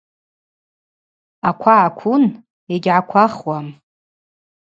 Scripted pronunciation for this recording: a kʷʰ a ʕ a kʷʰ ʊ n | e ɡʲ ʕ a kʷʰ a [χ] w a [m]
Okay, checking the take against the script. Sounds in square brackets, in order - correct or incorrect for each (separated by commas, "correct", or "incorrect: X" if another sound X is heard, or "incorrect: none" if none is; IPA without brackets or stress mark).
correct, correct